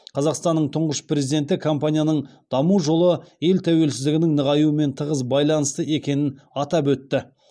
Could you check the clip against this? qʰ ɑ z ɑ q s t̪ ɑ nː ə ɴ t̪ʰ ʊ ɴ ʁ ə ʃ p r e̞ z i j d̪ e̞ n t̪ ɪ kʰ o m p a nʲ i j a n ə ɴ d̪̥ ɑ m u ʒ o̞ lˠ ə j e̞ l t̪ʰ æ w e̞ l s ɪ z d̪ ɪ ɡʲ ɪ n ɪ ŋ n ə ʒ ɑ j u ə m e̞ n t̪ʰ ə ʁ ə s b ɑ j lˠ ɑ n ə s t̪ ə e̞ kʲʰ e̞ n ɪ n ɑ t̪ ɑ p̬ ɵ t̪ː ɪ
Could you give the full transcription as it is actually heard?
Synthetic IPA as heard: qʰ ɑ z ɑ q s t̪ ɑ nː ə ɴ t̪ʰ ʊ ɴ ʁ ə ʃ p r e̞ z i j d̪ e̞ n t̪ ɪ kʰ o m p a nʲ i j a n ə ɴ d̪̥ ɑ m u ʒ o̞ lˠ ə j e̞ l t̪ʰ æ w e̞ l s ɪ z d̪ ɪ ɡʲ ɪ n ɪ ŋ n ə ʁ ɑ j u ə m e̞ n t̪ʰ ə ʁ ə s b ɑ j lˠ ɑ n ə s t̪ ə e̞ kʲ e̞ n ɪ n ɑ t̪ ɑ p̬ ɵ t̪ː ɪ

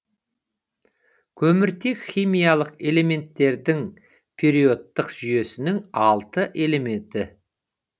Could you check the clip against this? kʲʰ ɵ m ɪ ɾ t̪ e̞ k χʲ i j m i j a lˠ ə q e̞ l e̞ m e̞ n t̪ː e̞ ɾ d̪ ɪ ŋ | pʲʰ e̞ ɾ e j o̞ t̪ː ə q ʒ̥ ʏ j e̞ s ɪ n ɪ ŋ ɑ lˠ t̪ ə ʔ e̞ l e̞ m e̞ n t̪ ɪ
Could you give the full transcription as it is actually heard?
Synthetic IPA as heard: kʲʰ ɵ m ɪ ɾ t̪ e̞ k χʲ i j m i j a lˠ ə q e̞ l e̞ m e̞ n t̪ː e̞ ɾ d̪ ɪ ŋ | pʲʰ e̞ ɾ i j o̞ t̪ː ə q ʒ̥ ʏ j e̞ s ɪ n ɪ ŋ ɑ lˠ t̪ ə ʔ e̞ l e̞ m e̞ n t̪ ɪ

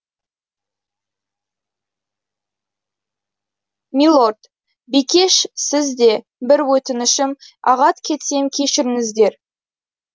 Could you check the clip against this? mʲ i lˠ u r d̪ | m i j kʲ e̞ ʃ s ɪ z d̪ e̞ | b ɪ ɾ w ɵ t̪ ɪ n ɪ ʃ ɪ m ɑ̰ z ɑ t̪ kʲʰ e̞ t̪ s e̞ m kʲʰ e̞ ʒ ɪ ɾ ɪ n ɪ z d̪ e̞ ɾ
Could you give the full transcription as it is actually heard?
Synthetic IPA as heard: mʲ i lˠ o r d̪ | b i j kʲ e̞ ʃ s ɪ z d̪ e̞ | b ɪ ɾ w ɵ t̪ ɪ n ɪ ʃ ɪ m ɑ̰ ʁ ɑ t̪ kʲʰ e̞ t̪ s e̞ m kʲʰ e̞ ʃ ɪ ɾ ɪ ŋ ɪ z d̪ e̞ ɾ

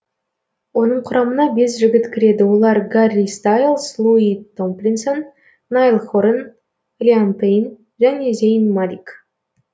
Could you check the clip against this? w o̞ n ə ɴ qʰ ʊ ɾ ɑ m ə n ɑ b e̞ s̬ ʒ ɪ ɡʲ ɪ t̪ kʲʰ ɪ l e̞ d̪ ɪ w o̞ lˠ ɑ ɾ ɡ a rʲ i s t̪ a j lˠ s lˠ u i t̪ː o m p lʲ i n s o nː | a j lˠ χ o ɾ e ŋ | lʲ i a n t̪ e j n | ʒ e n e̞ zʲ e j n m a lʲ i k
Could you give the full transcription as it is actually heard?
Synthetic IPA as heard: w o̞ n ə ɴ qʰ ʊ ɾ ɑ m ə n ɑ b e̞ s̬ ʒ ɪ ɡʲ ɪ t̪ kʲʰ ɪ ɾ e̞ d̪ ɪ w o̞ lˠ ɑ ɾ ɡ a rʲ i s t̪ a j lˠ s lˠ u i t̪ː o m p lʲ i n s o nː | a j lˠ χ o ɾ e n | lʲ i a n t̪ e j n | ʒ æ n e̞ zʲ e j n m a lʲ i k

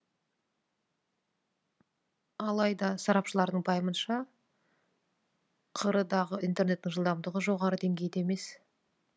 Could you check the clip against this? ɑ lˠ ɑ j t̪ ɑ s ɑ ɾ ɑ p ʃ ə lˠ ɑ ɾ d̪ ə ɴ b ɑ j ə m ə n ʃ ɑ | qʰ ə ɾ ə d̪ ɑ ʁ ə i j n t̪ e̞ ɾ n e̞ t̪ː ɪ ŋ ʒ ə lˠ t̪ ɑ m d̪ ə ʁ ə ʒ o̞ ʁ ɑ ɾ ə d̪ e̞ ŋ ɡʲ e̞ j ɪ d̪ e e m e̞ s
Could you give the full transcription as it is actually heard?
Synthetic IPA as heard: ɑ lˠ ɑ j d̪ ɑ s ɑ ɾ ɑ p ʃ ə lˠ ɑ ɾ d̪ ə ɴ b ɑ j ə m ə n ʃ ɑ | qʰ ə ɾ ə d̪ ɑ ʁ ə i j n t̪ e̞ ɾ n e̞ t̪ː ɪ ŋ ʒ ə lˠ d̪ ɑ m d̪ ə ʁ ə ʒ o̞ ʁ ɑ ɾ ə d̪ e̞ ŋ ɡʲ e̞ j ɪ d̪ e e m e̞ s

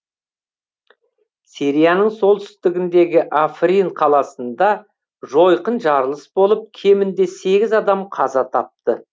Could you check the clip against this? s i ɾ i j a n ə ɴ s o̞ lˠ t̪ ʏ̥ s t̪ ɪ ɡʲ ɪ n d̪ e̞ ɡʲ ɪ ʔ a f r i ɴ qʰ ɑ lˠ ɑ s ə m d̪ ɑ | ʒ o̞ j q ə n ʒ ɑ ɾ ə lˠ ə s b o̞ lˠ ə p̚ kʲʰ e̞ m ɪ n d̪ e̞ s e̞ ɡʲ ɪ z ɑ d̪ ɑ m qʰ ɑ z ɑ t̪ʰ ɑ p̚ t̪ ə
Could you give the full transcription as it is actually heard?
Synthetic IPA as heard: s i ɾ i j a n ə ɴ s o̞ lˠ t̪ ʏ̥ s t̪ ɪ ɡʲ ɪ n d̪ e̞ ɡʲ ɪ ʔ a f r i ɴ qʰ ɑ lˠ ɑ s ə n d̪ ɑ | ʒ o̞ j q ə n ʒ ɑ ɾ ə lˠ ə s b o̞ lˠ ə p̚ kʲʰ e̞ m ɪ n d̪ e̞ s e̞ ɡʲ ɪ z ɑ d̪ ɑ m qʰ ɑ z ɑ t̪ʰ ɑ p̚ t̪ ə

